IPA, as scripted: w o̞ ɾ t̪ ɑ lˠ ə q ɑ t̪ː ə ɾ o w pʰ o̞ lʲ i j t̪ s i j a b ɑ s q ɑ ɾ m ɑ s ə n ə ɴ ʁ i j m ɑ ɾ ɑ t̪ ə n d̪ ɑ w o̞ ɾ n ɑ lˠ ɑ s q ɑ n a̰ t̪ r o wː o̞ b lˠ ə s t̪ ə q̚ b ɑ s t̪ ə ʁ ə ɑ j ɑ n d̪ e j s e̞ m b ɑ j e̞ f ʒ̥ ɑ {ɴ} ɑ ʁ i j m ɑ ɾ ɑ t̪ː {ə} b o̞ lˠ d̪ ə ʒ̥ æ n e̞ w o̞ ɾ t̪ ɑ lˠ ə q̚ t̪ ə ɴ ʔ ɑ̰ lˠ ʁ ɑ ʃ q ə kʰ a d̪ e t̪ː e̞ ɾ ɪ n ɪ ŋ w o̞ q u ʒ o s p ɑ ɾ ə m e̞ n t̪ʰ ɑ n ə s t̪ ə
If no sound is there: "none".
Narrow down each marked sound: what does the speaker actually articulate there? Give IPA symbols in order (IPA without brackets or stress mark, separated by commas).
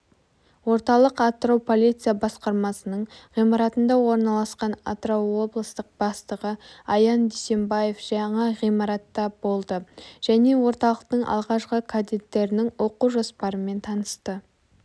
ɴ, ɑ